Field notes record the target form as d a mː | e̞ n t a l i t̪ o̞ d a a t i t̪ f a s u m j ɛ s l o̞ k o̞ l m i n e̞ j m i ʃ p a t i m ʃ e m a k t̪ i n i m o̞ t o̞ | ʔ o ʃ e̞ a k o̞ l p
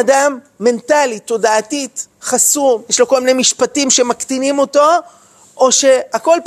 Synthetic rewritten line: d a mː | e̞ n t a l i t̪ o̞ d a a t i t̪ χ a s u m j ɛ ʃ l o̞ k o̞ l m i n e̞ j m i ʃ p a t i m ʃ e m a k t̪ i n i m o̞ t o̞ | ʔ o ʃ e̞ a k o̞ l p